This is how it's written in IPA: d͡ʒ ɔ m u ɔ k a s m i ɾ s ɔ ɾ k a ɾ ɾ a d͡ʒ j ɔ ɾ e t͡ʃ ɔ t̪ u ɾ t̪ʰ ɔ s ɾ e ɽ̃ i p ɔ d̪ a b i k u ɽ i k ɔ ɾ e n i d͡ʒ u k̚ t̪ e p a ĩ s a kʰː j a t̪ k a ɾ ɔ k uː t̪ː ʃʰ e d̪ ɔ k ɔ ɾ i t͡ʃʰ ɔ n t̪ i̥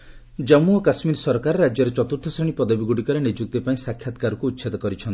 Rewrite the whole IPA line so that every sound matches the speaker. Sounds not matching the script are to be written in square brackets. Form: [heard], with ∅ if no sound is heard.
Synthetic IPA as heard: d͡ʒ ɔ m u ɔ k a s m i ɾ s ɔ ɾ k a ɾ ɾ a d͡ʒ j ɔ ɾ e t͡ʃ ɔ t̪ u ɾ t̪ʰ ɔ s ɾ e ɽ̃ i p ɔ d̪ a b i [ɡ] u ɽ i k ɔ ɾ e n i d͡ʒ u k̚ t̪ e p a ĩ s a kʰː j a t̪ k a ɾ ɔ k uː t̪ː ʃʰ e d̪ ɔ k ɔ ɾ i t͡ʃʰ ɔ n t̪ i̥